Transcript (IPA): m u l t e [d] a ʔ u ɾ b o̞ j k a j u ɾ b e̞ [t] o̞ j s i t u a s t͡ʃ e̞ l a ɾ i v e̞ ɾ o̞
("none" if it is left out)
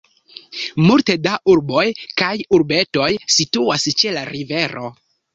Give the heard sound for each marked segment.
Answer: d, t

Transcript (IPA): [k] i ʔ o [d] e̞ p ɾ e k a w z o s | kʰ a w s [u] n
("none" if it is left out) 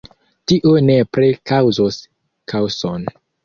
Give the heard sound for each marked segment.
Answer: t, n, o

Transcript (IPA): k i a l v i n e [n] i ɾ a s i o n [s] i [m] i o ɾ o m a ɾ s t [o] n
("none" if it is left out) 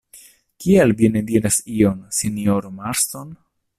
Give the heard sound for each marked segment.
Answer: d, s, n, o

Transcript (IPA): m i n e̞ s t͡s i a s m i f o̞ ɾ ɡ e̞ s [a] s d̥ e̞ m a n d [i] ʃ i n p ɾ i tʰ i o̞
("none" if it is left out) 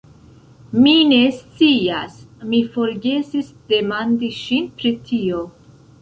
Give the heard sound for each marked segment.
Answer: i, i

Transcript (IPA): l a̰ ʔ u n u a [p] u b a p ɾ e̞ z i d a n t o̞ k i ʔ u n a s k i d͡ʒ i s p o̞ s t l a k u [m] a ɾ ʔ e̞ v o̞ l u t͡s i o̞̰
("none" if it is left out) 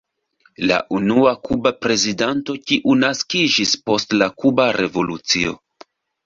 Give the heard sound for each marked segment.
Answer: k, b

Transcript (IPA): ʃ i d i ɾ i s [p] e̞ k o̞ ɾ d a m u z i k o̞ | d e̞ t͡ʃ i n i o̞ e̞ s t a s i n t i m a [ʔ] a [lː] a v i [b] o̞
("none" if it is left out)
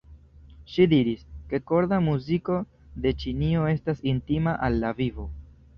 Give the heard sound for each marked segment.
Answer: k, ʔ, lː, v

